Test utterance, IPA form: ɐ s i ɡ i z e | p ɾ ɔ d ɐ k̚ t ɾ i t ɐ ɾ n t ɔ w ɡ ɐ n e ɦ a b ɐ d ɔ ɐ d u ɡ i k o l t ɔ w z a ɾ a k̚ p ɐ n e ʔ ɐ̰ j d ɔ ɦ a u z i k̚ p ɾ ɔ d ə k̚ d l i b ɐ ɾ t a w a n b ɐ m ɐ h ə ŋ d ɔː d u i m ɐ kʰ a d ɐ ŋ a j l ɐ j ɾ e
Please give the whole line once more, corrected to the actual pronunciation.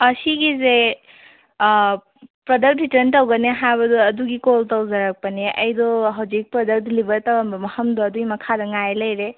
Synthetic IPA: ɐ s i ɡ i z e | p ɾ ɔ d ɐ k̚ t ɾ i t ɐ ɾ n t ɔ w ɡ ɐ n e ɦ a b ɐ d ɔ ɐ d u ɡ i k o l t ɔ w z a ɾ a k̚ p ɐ n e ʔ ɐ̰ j d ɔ ɦ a w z i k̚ p ɾ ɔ d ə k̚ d l i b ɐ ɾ t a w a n b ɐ m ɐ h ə m d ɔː d u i m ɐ kʰ a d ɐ ŋ a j l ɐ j ɾ e